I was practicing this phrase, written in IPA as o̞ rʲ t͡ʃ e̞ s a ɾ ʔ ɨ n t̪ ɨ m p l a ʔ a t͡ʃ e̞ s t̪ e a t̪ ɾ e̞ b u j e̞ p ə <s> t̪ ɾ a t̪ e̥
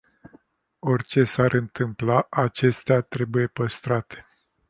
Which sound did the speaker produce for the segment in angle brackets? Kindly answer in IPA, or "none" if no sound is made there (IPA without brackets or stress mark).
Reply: s